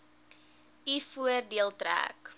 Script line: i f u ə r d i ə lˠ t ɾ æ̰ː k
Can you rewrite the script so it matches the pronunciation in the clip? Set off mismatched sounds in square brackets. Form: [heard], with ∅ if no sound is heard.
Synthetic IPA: i f u ə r d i ə lˠ t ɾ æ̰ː k